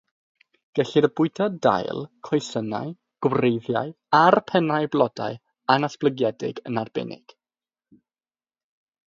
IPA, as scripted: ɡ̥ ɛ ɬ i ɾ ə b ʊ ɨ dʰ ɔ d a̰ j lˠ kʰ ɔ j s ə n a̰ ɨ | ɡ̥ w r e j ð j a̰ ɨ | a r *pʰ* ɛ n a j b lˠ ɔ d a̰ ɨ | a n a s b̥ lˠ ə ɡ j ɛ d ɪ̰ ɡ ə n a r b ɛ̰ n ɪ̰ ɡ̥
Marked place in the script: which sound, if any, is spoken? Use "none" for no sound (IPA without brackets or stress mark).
pʰ